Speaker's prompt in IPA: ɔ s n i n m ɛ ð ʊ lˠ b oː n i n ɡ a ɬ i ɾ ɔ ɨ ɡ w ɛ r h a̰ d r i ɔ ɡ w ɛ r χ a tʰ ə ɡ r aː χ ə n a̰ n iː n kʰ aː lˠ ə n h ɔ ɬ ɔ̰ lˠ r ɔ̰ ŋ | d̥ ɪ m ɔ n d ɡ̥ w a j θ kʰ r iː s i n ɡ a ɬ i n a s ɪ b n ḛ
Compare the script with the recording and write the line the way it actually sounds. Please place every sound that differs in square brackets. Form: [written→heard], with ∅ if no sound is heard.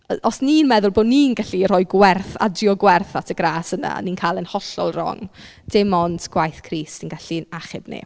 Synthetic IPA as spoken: ɔ s n i n m ɛ ð ʊ lˠ b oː n i n ɡ a ɬ i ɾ ɔ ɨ ɡ w ɛ r [h→θ] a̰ d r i ɔ ɡ w ɛ r [χ→θ] a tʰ ə ɡ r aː [χ→s] ə n a̰ n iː n kʰ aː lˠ ə n h ɔ ɬ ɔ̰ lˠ r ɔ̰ ŋ | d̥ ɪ m ɔ n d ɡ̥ w a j θ kʰ r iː s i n ɡ a ɬ i n a [s→χ] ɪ b n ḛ